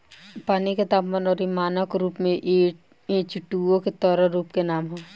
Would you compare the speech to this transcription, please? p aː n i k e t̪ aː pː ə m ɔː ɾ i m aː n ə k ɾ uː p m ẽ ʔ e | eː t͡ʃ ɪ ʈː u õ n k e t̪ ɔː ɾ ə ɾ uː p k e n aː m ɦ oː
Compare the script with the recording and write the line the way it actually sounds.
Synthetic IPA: p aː n i k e t̪ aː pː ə n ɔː ɾ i m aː n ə k ɾ uː p m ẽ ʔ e | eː t͡ʃ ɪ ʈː u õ k e t̪ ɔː ɾ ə ɾ uː p k e n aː m ɦ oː